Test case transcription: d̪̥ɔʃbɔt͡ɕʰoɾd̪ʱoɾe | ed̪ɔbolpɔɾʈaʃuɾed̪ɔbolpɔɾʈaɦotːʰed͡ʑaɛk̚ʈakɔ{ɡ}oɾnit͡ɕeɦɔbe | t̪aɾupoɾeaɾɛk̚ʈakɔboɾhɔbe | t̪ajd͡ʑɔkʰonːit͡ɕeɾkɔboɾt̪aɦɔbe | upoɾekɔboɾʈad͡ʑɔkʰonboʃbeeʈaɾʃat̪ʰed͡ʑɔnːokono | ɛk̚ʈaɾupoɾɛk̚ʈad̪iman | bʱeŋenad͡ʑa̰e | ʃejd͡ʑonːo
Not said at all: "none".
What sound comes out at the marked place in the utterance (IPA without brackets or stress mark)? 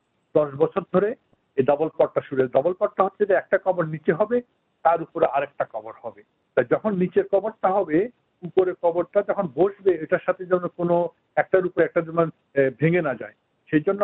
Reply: b